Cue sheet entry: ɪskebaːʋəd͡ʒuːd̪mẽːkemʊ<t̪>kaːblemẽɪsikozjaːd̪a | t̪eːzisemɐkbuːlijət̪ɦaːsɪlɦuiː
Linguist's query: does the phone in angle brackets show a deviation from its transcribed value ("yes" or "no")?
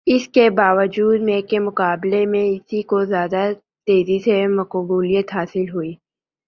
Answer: yes